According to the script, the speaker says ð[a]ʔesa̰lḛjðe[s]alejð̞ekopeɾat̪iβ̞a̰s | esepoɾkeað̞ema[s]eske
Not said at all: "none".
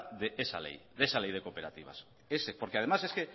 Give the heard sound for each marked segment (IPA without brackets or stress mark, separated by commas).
e, s, s